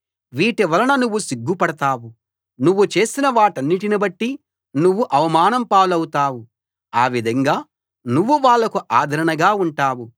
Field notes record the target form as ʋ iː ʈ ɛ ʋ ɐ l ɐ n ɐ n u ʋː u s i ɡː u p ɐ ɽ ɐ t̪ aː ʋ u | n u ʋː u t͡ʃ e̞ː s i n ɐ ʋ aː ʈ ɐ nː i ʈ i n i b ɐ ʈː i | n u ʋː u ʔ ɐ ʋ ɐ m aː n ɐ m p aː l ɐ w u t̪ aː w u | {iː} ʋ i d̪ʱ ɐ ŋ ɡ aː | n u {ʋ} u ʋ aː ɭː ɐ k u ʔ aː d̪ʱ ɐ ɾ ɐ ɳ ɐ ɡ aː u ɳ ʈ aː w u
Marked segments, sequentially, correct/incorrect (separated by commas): incorrect, incorrect